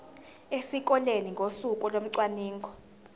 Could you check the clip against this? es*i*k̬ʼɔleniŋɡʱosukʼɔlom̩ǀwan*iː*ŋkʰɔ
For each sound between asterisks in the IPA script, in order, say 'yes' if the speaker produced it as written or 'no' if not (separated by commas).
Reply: yes, yes